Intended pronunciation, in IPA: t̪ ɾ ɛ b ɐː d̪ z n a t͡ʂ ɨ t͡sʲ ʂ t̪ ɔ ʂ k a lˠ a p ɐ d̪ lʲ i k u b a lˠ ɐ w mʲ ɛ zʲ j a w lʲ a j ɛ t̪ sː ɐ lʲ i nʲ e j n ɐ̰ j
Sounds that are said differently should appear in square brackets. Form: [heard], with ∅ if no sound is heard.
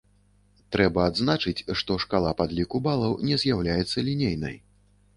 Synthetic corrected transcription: t̪ ɾ ɛ b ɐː d̪ z n a t͡ʂ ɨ t͡sʲ ʂ t̪ ɔ ʂ k a lˠ a p [a] d̪ lʲ i k u b a lˠ ɐ w [nʲ] ɛ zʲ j a w lʲ a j ɛ t̪ sː ɐ lʲ i nʲ e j n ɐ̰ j